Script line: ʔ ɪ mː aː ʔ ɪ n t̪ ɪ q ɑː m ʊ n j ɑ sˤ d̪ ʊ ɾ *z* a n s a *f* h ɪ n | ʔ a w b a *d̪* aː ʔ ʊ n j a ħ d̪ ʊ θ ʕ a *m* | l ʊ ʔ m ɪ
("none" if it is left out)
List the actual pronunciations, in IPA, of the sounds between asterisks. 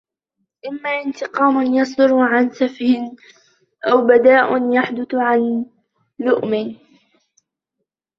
ʕ, f, d̪, n

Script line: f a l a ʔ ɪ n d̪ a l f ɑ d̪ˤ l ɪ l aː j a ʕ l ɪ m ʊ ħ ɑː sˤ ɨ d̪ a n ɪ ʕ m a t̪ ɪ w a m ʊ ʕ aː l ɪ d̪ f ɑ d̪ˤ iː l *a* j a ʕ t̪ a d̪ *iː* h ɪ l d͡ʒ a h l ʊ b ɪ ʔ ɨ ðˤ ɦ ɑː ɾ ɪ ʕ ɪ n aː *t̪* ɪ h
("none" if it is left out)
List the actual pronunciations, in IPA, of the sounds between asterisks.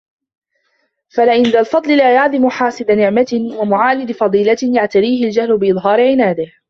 a, iː, d̪

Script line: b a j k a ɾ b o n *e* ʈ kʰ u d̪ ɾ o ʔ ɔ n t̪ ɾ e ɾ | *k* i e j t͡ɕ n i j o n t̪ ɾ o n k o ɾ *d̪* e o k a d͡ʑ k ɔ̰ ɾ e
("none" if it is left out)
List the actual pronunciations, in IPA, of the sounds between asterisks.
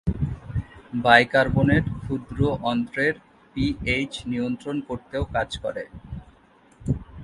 e, p, t̪

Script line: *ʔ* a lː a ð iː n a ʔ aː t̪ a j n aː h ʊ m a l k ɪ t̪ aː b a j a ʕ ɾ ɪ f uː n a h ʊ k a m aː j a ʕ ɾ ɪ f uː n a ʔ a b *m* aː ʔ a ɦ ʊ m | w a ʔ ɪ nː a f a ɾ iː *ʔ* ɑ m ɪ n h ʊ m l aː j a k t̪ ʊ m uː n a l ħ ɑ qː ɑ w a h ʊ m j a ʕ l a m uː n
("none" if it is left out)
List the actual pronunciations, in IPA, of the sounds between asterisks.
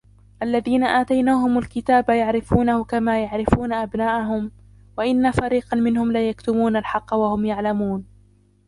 ʔ, n, q

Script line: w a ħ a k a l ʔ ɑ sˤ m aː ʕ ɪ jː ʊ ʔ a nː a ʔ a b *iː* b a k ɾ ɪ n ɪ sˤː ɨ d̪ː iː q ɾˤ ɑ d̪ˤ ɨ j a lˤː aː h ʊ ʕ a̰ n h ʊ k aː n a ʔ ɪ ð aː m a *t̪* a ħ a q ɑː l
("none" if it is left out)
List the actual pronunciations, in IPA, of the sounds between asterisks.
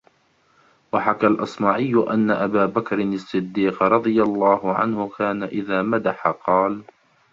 aː, d̪

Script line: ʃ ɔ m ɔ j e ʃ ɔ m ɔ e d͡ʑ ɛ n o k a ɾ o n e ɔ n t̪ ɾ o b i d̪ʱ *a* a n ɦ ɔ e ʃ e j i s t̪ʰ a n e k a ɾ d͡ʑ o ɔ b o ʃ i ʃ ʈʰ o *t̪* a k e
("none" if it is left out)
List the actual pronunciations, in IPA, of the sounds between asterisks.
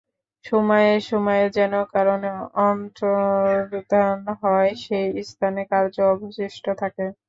a, t̪ʰ

